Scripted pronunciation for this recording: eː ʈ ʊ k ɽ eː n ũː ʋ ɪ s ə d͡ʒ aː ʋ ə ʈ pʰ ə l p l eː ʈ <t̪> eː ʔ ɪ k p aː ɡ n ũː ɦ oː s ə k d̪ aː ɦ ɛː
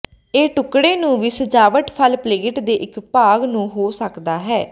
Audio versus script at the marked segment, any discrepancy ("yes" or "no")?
yes